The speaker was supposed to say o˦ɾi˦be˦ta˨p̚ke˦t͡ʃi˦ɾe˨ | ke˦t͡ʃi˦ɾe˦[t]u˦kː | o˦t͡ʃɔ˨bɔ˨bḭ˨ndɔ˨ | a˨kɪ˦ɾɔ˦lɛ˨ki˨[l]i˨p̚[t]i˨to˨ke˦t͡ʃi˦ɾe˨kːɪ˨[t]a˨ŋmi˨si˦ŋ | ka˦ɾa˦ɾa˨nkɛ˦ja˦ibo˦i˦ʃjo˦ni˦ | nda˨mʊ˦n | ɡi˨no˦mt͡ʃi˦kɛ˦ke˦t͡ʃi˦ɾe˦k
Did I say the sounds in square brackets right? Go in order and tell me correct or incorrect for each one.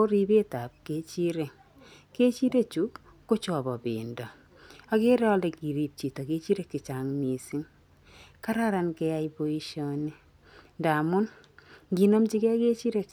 incorrect: t͡ʃ, incorrect: ɾ, incorrect: t͡ʃ, incorrect: t͡ʃ

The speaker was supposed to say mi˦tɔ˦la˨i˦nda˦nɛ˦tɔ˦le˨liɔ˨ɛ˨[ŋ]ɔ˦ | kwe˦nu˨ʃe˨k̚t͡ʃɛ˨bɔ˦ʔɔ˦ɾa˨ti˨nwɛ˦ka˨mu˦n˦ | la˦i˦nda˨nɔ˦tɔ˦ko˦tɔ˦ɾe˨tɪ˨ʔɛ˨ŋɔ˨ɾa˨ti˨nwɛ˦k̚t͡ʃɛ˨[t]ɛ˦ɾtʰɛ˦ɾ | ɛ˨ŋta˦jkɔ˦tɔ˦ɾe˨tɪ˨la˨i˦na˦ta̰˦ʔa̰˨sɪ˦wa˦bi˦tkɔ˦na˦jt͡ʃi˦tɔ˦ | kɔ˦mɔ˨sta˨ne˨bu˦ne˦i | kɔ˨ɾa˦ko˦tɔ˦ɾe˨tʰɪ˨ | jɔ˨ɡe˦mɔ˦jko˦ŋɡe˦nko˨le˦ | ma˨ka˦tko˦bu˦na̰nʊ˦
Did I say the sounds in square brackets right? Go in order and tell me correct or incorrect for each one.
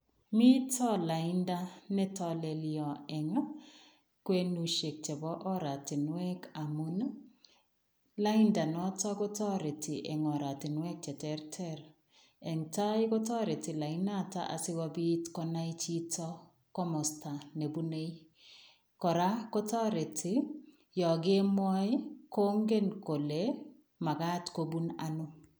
correct, correct

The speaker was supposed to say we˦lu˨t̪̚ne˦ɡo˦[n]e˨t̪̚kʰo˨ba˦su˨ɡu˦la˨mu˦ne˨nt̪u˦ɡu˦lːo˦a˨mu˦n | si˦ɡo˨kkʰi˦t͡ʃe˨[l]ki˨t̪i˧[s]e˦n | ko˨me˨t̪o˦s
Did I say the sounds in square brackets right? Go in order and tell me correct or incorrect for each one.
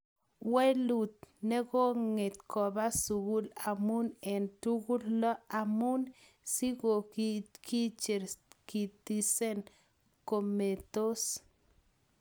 incorrect: ŋ, incorrect: ɾ, correct

